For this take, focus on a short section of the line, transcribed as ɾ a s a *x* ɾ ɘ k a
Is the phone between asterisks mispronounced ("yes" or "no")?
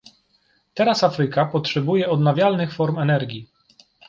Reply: yes